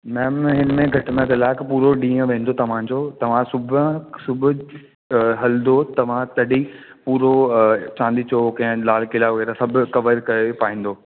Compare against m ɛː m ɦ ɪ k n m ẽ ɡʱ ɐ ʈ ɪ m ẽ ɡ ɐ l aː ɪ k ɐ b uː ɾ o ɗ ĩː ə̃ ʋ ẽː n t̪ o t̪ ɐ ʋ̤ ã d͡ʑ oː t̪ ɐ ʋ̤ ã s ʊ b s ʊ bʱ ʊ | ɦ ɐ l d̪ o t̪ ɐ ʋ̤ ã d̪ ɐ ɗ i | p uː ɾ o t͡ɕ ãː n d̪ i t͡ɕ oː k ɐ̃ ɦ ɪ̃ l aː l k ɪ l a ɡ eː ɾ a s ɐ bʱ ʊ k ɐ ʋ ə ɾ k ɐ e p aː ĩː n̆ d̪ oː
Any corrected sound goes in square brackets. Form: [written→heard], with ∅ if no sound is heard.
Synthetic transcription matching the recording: m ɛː m ɦ ɪ [k→∅] n m ẽ ɡʱ ɐ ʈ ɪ m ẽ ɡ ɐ l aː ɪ k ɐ [b→p] uː ɾ o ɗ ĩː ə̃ ʋ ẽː n [t̪→d̪] o t̪ ɐ ʋ̤ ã d͡ʑ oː t̪ ɐ ʋ̤ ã s ʊ b s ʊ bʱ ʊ | ɦ ɐ l d̪ o t̪ ɐ ʋ̤ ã [d̪→t̪] ɐ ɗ i | p uː ɾ o t͡ɕ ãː n d̪ i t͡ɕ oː k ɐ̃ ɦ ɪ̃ l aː l k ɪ l a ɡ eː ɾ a s ɐ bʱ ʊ k ɐ ʋ ə ɾ k ɐ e p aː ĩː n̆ d̪ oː